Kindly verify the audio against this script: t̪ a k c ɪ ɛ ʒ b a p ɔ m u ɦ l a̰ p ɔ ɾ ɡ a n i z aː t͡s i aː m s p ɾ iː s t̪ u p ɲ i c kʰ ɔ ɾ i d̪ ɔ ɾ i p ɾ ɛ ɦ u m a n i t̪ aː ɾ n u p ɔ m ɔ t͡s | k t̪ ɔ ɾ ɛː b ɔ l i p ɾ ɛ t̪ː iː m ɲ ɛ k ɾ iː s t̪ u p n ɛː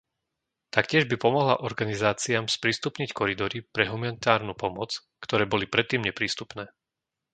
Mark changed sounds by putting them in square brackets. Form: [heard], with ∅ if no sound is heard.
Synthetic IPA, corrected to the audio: t̪ a k c ɪ ɛ ʒ b [i] p ɔ m [ɔ] ɦ l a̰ [ʔ] ɔ ɾ ɡ a n i z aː t͡s i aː m s p ɾ iː s t̪ u p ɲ i c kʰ ɔ ɾ i d̪ ɔ ɾ i p ɾ ɛ ɦ u m a n i t̪ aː ɾ n u p ɔ m ɔ t͡s | k t̪ ɔ ɾ ɛː b ɔ l i p ɾ ɛ t̪ː iː m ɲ ɛ [p] ɾ iː s t̪ u p n ɛː